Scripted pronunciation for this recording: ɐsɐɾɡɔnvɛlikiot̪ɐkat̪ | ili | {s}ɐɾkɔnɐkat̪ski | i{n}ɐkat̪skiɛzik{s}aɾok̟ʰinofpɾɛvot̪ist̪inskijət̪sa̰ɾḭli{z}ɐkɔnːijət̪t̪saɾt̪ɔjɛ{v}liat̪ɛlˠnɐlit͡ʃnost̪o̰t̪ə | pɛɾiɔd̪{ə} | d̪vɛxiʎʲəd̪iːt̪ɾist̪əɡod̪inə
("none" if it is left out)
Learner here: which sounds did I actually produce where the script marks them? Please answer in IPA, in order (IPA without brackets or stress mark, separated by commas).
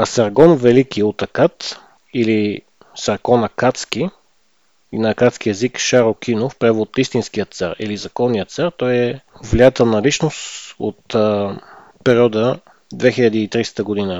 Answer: s, n, ʃ, z, v, ə